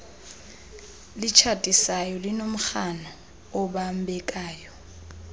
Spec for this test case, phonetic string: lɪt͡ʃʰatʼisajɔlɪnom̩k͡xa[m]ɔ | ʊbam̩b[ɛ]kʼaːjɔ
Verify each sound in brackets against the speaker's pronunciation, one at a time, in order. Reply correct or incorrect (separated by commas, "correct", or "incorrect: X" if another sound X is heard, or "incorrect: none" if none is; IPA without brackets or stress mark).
incorrect: n, correct